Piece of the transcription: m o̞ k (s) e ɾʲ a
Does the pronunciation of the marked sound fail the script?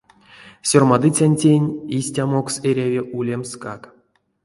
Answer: no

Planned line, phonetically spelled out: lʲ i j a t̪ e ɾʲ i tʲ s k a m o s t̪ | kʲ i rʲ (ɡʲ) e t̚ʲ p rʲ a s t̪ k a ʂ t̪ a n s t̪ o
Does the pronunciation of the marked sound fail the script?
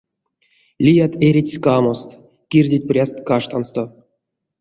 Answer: yes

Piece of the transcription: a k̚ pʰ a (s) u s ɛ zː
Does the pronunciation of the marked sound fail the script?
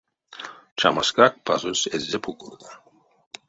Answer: yes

